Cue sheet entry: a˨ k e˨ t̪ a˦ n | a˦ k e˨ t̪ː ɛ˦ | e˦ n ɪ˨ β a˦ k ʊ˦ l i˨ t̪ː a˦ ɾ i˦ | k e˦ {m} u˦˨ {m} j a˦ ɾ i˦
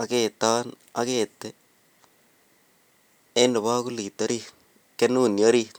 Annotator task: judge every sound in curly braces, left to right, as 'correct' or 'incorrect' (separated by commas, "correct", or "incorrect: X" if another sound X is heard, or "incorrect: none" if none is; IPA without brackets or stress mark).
incorrect: n, incorrect: n